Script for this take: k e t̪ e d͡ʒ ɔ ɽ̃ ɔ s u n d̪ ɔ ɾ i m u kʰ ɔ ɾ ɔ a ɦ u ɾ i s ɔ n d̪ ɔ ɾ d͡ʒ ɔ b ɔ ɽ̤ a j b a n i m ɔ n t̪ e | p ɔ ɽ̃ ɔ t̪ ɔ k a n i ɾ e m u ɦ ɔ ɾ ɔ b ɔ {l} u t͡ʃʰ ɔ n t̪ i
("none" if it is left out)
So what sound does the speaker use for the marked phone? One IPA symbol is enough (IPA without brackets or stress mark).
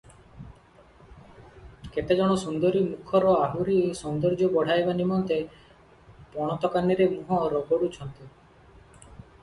ɽ